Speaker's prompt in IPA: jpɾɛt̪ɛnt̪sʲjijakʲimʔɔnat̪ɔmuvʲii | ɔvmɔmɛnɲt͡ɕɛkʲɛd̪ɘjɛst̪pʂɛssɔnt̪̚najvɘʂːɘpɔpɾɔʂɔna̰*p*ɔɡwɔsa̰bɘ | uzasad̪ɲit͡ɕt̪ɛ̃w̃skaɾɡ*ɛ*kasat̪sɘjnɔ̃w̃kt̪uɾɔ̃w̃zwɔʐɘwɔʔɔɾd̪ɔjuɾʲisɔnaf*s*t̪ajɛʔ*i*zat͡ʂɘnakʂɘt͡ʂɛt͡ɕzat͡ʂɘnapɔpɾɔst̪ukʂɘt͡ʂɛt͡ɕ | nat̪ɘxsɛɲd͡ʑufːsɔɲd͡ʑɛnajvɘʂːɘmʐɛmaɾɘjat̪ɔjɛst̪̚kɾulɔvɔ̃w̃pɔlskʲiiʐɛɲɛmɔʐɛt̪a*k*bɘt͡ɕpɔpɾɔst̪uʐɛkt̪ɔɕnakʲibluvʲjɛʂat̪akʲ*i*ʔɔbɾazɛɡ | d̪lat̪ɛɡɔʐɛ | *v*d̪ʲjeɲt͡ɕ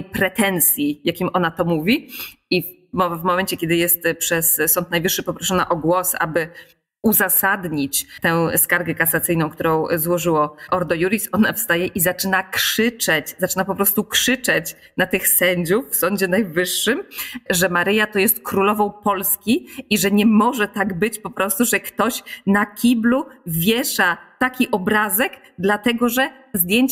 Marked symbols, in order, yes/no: no, yes, yes, yes, no, yes, no

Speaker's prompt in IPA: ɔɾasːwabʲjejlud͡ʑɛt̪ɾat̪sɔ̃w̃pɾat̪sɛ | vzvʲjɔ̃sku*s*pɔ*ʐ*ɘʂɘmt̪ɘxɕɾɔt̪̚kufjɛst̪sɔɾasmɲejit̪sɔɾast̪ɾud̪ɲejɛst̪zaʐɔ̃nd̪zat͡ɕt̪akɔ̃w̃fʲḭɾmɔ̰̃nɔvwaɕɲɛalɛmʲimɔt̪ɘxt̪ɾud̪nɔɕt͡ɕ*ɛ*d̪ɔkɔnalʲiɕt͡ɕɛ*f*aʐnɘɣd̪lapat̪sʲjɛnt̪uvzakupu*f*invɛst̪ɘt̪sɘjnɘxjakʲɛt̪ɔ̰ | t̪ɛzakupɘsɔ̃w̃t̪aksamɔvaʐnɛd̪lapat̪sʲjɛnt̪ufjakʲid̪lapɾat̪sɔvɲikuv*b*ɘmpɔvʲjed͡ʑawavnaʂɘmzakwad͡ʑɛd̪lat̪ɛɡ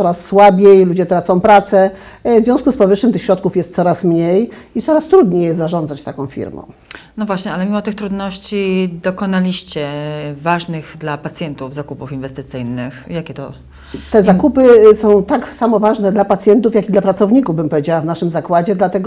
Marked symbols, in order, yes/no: yes, no, no, no, yes, yes

